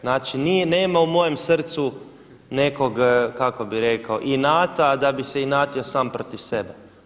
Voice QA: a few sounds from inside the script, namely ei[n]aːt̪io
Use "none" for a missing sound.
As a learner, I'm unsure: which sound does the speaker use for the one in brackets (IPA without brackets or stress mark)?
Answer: n